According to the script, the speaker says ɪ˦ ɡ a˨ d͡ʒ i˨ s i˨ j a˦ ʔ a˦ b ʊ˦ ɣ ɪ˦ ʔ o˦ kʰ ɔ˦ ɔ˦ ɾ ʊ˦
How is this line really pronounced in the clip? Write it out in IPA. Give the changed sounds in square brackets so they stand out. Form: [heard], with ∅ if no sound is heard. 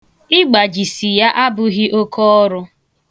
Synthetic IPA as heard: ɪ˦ [ɡ͡b] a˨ d͡ʒ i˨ s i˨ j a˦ ʔ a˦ b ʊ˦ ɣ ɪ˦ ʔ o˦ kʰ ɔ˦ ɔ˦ ɾ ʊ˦